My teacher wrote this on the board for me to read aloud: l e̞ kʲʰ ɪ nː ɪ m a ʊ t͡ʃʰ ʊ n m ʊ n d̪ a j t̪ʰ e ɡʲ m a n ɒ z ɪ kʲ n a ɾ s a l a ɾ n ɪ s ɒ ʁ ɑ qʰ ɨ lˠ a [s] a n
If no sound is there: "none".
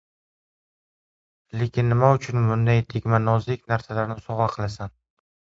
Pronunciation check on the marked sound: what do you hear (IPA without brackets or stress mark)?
s